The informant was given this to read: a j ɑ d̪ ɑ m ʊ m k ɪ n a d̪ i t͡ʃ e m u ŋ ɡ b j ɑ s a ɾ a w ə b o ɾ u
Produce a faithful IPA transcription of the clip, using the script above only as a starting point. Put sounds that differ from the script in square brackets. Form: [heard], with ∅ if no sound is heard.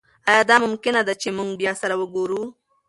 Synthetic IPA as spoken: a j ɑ d̪ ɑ m ʊ m k ɪ n a d̪ [a] t͡ʃ e m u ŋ ɡ b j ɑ s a ɾ a w ə [ɡ] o ɾ u

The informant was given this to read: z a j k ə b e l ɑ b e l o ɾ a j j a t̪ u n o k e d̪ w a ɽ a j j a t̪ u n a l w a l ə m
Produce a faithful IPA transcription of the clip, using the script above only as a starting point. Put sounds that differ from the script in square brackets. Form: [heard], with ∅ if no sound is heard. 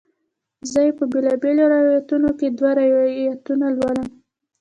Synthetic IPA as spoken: z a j [p] ə b e l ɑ b e l o ɾ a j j a t̪ u n o k e d̪ w a [ɾ] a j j a t̪ u n a l w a l ə m

